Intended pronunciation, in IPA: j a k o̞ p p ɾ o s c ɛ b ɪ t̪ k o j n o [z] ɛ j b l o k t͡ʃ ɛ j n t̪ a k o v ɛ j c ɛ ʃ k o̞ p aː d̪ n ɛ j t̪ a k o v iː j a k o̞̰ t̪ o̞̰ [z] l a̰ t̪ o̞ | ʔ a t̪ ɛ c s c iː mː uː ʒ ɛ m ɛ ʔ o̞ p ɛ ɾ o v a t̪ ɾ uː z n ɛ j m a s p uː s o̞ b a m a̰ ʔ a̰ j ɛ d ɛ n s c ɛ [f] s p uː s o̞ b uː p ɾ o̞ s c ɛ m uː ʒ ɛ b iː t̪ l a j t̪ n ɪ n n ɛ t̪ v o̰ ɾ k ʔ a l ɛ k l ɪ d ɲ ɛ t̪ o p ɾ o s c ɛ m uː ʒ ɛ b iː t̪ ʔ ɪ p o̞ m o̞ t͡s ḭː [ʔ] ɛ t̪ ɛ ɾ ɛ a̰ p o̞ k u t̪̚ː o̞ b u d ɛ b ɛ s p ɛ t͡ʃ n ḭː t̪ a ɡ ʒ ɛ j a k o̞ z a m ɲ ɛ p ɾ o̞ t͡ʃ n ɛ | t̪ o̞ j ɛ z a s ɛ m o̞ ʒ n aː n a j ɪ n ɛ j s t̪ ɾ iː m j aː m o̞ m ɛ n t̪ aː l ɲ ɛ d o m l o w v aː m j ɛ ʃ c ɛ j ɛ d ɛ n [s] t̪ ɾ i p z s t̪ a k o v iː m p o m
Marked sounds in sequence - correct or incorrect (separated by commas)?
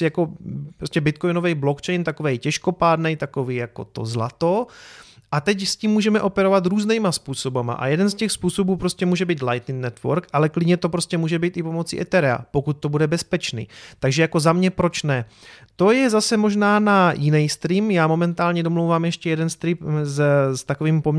incorrect, correct, incorrect, correct, correct